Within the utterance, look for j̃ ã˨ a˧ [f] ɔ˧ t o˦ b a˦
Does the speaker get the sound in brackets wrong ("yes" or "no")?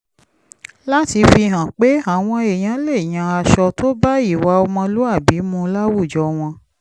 yes